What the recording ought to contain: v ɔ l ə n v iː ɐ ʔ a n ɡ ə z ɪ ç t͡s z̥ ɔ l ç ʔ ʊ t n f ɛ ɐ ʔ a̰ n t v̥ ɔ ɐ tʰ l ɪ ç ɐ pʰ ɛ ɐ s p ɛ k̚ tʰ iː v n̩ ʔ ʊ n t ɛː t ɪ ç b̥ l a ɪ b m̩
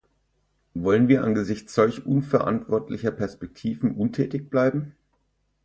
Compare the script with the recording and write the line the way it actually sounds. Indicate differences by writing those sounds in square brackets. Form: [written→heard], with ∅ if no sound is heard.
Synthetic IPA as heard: v ɔ l ə n v iː ɐ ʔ a n ɡ ə z ɪ ç t͡s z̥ ɔ l ç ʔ ʊ [t→∅] n f ɛ ɐ ʔ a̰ n t v̥ ɔ ɐ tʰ l ɪ ç ɐ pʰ ɛ ɐ s p ɛ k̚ tʰ iː v n̩ ʔ ʊ n [t→tʰ] ɛː t ɪ ç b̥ l a ɪ b m̩